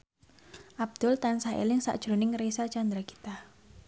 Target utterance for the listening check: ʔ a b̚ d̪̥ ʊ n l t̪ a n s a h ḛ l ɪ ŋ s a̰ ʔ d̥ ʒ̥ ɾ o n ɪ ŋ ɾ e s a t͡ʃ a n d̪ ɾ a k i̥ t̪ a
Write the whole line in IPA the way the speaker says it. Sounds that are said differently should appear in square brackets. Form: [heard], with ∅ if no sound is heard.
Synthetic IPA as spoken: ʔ a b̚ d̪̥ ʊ [∅] l t̪ a n s a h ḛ l ɪ ŋ s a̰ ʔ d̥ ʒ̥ ɾ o n ɪ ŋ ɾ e s a t͡ʃ a n d̪ ɾ a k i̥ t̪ a